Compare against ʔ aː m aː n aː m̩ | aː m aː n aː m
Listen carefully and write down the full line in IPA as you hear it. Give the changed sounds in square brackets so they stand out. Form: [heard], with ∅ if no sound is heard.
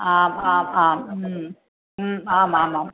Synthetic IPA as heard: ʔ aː m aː [m] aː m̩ | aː m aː [m] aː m